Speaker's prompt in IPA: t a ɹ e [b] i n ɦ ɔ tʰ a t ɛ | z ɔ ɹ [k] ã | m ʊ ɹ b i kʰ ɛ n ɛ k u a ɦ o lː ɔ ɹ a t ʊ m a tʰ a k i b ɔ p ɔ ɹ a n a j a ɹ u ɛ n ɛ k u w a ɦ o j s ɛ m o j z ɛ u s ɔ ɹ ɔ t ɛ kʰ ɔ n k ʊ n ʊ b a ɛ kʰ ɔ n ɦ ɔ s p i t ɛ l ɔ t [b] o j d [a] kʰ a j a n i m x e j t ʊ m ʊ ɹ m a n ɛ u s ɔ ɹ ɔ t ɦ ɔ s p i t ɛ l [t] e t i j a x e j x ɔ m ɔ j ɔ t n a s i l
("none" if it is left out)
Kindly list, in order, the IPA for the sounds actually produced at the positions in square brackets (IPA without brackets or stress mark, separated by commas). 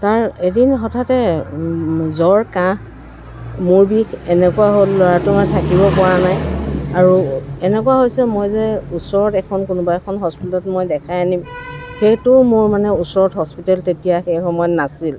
d, k, m, ɛ, t